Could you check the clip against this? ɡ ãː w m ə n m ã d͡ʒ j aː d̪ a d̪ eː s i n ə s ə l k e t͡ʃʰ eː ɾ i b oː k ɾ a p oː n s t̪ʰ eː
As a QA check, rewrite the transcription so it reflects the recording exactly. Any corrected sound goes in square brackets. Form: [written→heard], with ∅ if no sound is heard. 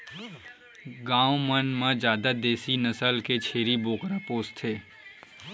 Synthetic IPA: ɡ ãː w m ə n m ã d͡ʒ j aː d̪ a d̪ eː s i n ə s ə l k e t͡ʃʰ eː ɾ i b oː k ɾ a p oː [n→∅] s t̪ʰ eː